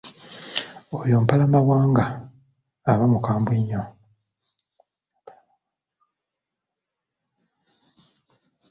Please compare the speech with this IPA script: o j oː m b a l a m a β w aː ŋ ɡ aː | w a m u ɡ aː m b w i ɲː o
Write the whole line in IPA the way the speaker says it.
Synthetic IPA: o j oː m p a l a m a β w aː ŋ ɡ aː | β a m u k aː m b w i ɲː o